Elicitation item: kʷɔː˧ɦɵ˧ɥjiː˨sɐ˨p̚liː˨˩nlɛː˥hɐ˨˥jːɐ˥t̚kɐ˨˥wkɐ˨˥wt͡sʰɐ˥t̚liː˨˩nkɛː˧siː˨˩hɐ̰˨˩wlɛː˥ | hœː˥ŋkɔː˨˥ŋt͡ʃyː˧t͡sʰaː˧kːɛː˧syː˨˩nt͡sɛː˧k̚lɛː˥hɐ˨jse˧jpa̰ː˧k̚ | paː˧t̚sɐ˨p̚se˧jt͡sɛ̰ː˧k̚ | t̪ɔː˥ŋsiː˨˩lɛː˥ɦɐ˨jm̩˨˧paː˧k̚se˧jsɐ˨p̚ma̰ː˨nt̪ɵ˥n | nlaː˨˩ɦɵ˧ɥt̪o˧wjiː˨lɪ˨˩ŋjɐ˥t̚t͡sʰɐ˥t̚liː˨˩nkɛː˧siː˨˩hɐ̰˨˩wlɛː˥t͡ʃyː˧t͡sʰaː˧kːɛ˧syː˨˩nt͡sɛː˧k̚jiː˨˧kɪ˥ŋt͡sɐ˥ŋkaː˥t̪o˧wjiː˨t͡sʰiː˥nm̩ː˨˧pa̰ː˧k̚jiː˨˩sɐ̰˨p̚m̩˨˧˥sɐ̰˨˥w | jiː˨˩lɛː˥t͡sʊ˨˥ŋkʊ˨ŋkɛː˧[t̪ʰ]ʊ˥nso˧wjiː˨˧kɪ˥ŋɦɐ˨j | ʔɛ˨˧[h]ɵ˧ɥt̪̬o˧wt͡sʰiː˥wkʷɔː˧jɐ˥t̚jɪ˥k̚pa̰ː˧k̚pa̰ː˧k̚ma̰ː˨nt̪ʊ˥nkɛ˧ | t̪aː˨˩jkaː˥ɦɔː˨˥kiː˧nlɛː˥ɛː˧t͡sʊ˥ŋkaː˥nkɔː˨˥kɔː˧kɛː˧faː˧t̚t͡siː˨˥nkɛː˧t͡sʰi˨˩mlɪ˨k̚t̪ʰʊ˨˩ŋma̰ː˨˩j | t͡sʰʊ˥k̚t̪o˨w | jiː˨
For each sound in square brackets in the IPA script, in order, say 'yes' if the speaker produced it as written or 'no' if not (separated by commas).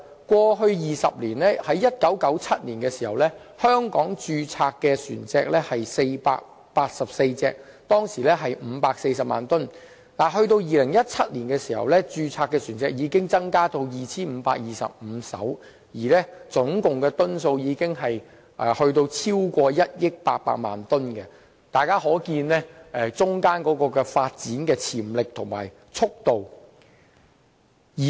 no, yes